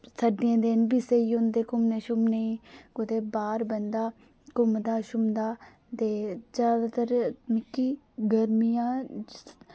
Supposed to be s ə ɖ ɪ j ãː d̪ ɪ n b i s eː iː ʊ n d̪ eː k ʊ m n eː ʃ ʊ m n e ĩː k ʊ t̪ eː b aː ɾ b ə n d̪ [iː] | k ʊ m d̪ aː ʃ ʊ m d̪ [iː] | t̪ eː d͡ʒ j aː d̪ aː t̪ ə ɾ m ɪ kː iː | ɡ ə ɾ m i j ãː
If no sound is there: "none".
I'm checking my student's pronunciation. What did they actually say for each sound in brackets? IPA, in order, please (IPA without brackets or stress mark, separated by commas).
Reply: aː, aː